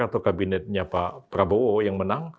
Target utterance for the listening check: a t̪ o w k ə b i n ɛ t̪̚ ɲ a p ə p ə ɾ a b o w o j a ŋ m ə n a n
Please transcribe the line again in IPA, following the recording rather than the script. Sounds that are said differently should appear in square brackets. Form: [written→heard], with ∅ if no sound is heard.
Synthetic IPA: a t̪ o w k [ə→a] b i n ɛ t̪̚ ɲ a p [ə→a] p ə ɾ a b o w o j a ŋ m ə n a [n→ŋ]